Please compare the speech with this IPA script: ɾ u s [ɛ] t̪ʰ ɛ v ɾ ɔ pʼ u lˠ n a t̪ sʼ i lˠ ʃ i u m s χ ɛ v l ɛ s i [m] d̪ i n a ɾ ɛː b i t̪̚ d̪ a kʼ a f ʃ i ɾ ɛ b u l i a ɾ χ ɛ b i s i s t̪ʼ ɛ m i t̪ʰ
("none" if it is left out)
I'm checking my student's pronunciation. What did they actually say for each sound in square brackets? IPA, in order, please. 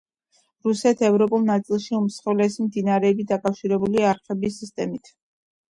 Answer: ɛ, m

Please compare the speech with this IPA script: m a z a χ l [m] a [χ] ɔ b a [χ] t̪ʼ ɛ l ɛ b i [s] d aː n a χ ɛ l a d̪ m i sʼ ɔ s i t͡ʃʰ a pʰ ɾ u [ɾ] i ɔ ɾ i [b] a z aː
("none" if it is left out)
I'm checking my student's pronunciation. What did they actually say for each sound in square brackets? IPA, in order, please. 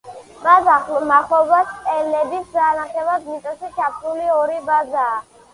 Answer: m, χ, s, s, l, b

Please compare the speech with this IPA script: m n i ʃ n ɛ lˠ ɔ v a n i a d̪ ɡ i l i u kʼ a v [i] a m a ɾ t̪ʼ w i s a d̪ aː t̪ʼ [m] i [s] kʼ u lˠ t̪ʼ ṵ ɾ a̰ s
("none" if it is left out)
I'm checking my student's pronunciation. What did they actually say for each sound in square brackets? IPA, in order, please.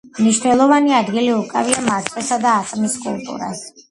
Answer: i, m, s

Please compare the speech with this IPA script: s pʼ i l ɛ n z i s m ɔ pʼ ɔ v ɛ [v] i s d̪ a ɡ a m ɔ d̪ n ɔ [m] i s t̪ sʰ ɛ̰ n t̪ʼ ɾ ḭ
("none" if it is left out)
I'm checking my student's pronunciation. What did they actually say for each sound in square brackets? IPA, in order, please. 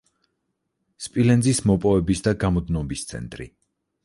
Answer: b, b

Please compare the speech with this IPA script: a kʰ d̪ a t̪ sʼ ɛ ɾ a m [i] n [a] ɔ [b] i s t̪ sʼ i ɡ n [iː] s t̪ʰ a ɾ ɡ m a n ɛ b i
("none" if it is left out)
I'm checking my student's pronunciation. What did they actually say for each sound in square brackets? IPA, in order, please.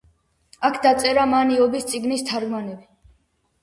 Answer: a, i, b, i

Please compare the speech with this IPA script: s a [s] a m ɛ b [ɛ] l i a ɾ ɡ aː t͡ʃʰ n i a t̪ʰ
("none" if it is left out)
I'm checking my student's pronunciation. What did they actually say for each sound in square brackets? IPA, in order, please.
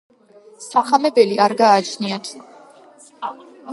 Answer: χ, ɛ

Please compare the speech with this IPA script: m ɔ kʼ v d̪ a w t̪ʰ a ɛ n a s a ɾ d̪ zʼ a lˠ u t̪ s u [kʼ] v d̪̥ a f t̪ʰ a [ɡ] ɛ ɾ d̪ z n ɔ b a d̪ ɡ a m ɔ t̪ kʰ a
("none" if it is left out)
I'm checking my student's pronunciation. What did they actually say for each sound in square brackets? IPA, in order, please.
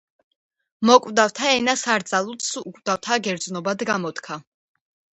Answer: kʼ, ɡ

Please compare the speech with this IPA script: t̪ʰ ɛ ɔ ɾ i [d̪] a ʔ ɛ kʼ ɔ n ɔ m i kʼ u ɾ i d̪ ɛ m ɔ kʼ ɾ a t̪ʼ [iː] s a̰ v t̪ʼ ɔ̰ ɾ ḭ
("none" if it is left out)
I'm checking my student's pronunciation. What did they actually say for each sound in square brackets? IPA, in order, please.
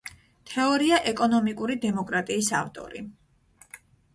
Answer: none, iː

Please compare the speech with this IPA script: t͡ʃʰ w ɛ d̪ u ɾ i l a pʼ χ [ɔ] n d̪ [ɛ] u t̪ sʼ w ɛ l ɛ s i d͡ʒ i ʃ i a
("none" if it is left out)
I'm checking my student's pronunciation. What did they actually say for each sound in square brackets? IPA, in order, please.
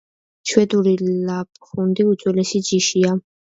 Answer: u, i

